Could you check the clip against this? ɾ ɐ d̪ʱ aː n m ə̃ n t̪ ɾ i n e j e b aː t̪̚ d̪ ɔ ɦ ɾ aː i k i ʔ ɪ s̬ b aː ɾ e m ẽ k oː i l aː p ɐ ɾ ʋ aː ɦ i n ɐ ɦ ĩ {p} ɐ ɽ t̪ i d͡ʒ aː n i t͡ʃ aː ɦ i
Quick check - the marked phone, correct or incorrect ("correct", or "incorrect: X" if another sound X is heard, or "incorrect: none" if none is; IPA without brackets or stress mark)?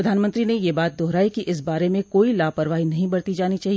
incorrect: b